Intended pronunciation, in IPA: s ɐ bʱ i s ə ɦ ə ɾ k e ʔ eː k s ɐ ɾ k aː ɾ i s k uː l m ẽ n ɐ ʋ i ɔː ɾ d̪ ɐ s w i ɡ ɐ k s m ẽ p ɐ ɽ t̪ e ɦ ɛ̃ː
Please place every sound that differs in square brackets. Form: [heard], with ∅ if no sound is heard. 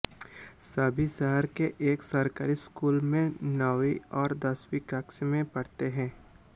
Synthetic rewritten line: s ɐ bʱ i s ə ɦ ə ɾ k e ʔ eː k s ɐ ɾ k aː ɾ i s k uː l m ẽ n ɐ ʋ i ɔː ɾ d̪ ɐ s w i [k] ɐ k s m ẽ p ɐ ɽ t̪ e ɦ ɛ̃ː